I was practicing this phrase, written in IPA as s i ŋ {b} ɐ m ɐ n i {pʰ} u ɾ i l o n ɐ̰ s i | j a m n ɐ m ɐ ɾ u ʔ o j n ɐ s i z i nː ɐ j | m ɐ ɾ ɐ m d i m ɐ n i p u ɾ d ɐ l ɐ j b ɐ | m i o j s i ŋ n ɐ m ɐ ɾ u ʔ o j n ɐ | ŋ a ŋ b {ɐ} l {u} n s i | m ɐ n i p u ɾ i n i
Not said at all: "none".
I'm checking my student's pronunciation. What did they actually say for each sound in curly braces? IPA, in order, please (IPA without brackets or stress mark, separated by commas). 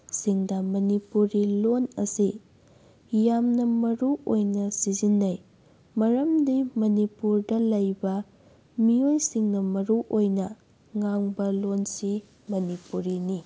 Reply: d, p, ɐ, o